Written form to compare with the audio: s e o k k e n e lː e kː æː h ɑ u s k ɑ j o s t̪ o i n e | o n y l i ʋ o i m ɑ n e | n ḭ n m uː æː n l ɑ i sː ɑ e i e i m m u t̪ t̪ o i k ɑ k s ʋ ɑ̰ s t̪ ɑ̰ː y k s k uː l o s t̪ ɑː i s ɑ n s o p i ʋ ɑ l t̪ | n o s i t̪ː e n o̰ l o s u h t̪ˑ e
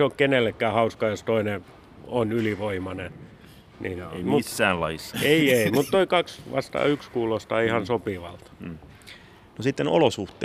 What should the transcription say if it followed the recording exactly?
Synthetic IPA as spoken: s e o k k e n e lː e kː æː h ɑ u s k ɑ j o s t̪ o i n e | o n y l i ʋ o i m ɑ n e | n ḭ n m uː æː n l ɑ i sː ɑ e i e i m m u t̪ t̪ o i k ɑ k s ʋ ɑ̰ s t̪ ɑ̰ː y k s k uː l o s t̪ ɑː i h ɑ n s o p i ʋ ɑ l t̪ | n o s i t̪ː e n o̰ l o s u h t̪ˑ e